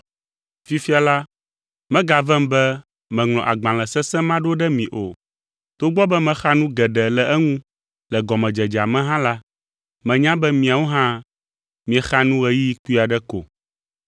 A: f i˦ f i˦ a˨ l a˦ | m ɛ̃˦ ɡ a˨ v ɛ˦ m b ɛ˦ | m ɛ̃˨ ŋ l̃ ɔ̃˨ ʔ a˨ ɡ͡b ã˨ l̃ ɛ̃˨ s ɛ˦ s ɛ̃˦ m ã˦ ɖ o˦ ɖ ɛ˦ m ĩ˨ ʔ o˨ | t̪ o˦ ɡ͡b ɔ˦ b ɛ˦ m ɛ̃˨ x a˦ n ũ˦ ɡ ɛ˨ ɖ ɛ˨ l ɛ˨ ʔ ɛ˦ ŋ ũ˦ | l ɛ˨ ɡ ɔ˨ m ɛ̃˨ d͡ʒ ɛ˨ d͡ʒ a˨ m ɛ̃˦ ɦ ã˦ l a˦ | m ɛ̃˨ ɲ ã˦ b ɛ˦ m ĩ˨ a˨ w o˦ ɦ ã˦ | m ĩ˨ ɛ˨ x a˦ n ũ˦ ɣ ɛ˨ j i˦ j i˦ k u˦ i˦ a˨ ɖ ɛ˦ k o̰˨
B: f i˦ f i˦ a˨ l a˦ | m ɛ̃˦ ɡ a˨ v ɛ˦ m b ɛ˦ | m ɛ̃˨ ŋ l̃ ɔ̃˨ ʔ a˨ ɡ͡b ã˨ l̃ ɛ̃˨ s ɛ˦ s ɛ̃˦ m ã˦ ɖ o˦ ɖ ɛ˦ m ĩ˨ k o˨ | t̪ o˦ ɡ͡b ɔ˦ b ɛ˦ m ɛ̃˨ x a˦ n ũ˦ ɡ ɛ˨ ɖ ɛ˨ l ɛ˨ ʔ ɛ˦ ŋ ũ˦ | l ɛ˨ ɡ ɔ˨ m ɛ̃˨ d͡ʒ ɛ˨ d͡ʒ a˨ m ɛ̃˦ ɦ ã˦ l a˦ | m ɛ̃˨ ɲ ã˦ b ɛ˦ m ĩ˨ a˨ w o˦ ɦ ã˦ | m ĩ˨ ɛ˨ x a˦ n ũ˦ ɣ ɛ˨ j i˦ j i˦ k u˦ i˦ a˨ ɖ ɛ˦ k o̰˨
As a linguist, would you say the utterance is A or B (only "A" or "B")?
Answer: A